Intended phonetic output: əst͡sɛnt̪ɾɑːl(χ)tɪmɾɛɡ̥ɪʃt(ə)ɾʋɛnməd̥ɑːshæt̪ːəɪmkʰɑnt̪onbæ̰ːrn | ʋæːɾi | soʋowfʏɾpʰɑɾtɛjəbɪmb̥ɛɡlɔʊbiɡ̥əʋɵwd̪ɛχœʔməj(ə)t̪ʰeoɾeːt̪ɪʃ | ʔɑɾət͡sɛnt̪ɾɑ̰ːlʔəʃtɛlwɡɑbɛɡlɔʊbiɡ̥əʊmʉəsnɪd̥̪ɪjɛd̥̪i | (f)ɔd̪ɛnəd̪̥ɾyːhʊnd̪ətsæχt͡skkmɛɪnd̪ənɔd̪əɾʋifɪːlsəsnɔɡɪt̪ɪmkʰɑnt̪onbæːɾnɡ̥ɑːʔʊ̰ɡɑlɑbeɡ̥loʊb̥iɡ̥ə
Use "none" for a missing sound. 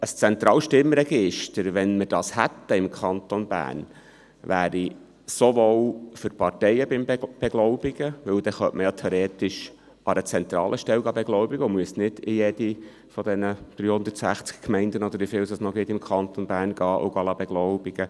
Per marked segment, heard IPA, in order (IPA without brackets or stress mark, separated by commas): ʃ, ə, ɑ, f